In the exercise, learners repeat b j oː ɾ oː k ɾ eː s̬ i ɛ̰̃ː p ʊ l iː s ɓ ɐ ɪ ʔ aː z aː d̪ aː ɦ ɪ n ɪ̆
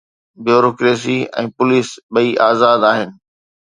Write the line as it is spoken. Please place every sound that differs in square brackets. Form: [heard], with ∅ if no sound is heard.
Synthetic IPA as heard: b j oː ɾ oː k ɾ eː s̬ i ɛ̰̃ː p ʊ l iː s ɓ ɐ [i] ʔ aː z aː d̪ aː ɦ ɪ n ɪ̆